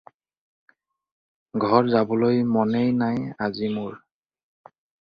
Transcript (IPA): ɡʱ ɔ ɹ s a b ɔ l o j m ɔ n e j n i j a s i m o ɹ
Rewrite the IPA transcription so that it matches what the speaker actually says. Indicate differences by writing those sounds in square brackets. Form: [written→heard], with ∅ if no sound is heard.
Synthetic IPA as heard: ɡʱ ɔ ɹ [s→z] a b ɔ l o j m ɔ n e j n [i→a] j a [s→z] i m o ɹ